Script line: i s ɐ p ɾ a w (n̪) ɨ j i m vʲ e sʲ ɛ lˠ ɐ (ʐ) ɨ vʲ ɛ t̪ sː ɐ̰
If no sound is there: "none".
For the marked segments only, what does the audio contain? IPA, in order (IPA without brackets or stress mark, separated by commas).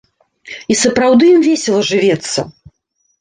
d̪, ʐ